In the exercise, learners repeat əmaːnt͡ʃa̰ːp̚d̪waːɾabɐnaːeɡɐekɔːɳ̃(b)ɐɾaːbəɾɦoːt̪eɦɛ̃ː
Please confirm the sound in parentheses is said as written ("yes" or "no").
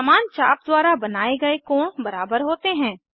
yes